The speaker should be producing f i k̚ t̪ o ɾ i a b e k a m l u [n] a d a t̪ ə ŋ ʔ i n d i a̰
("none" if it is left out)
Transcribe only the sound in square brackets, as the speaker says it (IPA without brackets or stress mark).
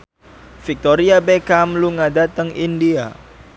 ŋ